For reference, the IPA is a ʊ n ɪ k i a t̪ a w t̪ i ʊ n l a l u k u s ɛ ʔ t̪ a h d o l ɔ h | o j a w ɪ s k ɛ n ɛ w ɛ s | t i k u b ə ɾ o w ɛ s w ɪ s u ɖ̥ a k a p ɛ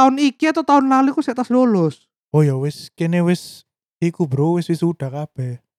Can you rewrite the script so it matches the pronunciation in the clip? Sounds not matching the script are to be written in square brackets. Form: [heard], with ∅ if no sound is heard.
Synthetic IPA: a ʊ n [i] k i a t̪ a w t̪ [a] ʊ n l a l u k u s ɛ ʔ t̪ a [s] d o l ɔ [s] | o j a w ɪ s k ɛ n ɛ w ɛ s | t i k u b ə ɾ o w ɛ s w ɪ s u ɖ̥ a k a p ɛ